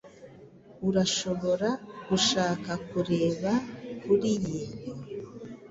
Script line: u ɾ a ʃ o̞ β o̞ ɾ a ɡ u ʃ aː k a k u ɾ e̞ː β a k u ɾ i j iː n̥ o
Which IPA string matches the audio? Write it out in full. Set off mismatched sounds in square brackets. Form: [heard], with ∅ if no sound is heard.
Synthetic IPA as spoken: u ɾ a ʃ o̞ β o̞ ɾ a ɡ u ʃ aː k a k u ɾ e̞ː β a k u ɾ i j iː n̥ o